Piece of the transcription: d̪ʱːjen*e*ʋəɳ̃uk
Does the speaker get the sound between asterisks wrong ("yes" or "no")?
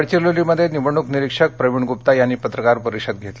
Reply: yes